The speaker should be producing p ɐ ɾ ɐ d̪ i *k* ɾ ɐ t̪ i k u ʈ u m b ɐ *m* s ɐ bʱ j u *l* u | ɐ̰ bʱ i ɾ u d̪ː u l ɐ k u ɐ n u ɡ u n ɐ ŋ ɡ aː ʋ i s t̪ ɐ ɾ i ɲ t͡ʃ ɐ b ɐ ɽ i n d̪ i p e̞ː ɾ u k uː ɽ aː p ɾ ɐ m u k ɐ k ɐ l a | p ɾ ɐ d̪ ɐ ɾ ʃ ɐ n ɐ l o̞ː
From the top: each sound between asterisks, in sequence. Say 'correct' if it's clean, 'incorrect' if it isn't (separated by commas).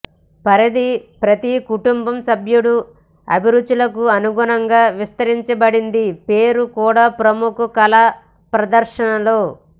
incorrect, correct, incorrect